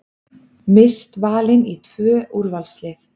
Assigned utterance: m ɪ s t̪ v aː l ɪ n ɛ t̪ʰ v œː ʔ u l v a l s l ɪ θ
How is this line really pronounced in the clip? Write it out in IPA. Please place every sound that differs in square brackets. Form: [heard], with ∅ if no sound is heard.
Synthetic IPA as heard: m ɪ s t̪ v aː l ɪ n [i] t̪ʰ v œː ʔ u [ɾ] v a l s l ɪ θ